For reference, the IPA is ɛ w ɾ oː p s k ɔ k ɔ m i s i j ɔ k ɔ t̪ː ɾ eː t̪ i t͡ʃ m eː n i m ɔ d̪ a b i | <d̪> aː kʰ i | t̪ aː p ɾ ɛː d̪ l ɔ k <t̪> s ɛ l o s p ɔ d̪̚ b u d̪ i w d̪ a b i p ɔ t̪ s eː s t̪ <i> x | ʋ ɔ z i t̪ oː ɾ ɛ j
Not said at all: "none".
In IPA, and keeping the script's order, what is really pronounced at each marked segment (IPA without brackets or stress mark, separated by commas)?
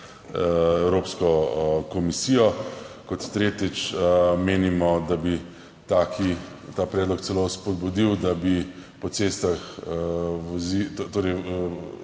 t̪, t̪, a